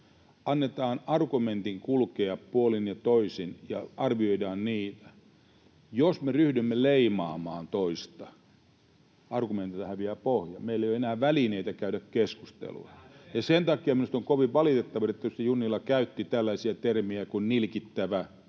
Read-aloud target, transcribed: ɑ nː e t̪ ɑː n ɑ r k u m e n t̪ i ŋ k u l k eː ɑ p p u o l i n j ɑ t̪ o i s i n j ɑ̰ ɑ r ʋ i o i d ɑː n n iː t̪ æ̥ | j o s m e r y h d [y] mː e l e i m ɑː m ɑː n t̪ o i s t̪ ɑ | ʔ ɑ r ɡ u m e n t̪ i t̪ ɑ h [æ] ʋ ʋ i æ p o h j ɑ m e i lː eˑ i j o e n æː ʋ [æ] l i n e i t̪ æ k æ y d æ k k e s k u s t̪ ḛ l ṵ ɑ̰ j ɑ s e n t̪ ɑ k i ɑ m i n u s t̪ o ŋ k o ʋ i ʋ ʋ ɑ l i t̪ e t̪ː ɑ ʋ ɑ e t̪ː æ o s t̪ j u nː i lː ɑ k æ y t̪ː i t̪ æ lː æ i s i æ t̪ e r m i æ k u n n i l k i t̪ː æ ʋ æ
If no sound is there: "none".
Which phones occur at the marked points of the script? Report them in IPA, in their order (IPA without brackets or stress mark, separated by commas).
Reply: y, æ, æ